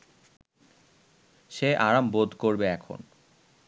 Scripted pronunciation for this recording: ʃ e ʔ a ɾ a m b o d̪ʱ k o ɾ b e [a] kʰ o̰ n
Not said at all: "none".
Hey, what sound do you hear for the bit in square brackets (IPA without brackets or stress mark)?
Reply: ɛ